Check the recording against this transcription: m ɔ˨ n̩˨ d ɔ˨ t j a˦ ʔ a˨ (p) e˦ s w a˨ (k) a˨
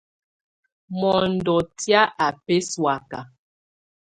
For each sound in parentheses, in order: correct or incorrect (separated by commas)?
correct, correct